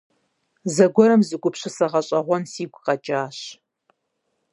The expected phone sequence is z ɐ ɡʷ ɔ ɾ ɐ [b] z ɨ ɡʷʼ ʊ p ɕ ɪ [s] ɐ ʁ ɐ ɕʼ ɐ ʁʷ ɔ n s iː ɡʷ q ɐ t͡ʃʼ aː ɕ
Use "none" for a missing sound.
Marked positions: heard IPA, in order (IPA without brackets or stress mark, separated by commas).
m, s